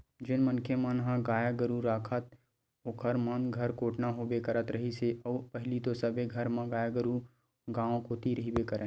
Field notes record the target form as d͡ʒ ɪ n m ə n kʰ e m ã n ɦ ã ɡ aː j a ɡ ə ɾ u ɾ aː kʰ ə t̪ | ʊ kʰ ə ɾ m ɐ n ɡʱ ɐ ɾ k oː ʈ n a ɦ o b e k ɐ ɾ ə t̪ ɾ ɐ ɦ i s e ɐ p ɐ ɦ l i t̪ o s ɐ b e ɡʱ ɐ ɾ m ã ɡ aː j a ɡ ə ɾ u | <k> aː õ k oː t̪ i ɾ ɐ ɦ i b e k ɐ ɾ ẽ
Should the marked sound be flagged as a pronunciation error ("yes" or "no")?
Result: yes